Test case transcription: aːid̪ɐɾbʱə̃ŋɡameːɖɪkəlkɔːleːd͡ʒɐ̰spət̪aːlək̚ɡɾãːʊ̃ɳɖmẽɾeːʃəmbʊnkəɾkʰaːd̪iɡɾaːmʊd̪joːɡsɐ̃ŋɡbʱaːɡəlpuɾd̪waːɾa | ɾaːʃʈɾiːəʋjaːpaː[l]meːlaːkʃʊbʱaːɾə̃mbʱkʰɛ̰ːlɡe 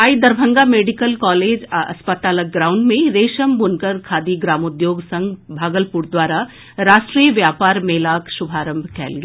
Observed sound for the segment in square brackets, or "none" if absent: ɾ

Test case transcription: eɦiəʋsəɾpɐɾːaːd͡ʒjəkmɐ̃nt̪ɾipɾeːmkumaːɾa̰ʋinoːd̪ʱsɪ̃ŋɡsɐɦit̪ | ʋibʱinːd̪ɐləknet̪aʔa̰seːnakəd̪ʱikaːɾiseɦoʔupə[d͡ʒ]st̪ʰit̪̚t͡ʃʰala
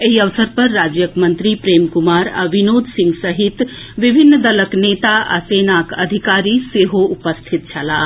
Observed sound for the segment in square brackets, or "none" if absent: none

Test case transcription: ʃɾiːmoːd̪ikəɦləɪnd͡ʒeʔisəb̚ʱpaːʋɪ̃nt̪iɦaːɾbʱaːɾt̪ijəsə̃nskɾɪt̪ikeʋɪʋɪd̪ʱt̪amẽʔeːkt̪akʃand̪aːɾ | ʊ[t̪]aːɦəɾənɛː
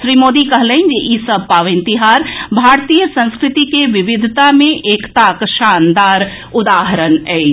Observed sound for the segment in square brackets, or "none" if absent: d̪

